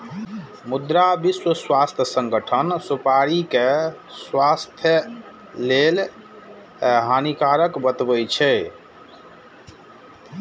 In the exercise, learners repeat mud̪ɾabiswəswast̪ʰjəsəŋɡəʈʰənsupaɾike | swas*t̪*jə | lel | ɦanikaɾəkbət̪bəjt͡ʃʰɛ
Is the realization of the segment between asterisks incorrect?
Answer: yes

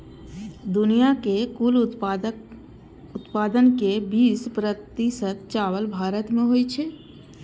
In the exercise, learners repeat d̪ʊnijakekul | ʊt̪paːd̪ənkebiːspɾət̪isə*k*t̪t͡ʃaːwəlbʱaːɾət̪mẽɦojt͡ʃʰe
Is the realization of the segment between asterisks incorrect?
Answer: yes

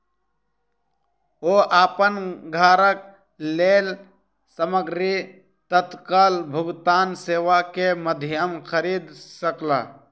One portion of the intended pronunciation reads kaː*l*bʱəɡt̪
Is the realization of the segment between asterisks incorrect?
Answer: no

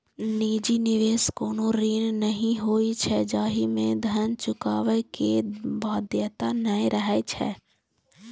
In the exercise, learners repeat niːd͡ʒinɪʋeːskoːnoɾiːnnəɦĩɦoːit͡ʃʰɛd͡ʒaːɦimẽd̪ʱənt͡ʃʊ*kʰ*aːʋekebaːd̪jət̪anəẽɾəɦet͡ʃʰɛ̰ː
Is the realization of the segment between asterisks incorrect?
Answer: yes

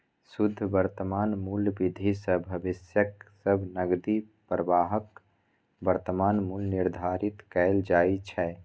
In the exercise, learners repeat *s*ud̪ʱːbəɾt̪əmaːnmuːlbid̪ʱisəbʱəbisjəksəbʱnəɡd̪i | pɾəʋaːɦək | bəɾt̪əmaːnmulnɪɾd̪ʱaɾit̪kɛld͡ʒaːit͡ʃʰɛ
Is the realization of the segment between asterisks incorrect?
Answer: no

